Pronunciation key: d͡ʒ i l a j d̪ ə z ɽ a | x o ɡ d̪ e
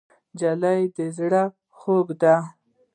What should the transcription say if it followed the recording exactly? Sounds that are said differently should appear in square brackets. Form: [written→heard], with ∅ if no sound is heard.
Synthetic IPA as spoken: d͡ʒ [i→a] l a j d̪ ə z ɽ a | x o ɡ d̪ [e→a]